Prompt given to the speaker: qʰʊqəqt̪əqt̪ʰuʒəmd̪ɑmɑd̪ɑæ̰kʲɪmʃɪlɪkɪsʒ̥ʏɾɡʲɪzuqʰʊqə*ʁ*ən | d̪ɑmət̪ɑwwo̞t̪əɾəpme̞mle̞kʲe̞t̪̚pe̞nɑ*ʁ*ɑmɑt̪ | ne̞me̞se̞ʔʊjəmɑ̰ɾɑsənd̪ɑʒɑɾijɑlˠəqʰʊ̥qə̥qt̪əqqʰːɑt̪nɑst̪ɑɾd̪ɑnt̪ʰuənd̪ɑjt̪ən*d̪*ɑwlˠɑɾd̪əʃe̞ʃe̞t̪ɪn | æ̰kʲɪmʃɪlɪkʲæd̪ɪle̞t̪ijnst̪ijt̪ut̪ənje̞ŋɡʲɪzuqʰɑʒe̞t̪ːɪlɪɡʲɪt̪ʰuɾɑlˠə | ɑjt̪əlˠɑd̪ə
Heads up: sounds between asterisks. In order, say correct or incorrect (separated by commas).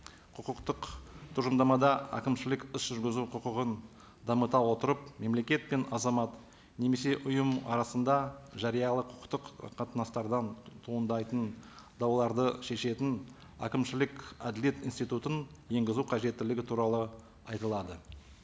correct, incorrect, correct